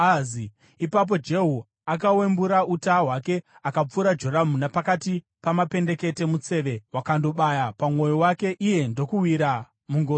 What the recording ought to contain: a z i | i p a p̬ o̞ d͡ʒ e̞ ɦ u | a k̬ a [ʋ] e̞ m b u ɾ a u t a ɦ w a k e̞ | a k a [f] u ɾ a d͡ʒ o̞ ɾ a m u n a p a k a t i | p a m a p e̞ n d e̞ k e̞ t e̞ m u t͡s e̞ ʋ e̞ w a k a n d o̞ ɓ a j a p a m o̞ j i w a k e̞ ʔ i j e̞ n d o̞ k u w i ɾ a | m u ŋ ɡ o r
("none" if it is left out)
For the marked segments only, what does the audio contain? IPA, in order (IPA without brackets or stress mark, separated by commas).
w, p͡f